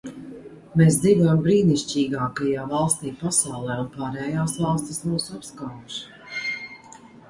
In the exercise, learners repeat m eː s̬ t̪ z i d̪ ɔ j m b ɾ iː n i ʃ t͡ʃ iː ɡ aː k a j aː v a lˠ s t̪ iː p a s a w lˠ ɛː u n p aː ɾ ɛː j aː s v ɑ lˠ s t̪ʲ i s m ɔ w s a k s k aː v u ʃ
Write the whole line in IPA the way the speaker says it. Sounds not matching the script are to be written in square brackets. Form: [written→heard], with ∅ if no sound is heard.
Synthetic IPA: m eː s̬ [t̪→d̪] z i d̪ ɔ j m b ɾ iː n i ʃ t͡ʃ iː ɡ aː k a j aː v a lˠ s t̪ iː p a s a w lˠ ɛː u n p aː ɾ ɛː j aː s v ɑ lˠ s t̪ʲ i s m [ɔ→u] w s a [k→p] s k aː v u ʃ